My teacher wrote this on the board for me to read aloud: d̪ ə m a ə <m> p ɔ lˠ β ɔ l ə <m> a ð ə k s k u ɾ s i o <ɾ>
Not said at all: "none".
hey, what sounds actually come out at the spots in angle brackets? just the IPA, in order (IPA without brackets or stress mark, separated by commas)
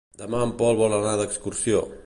m, n, none